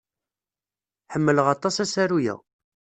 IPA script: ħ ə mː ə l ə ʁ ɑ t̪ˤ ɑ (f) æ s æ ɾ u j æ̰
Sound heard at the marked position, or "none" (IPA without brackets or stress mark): s